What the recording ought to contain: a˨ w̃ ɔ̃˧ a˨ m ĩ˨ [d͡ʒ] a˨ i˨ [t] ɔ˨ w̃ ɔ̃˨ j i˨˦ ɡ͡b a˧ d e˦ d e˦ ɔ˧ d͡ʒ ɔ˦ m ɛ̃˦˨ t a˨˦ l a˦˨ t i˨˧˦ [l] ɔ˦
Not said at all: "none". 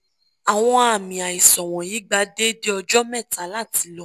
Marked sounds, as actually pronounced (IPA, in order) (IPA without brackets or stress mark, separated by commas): none, s, l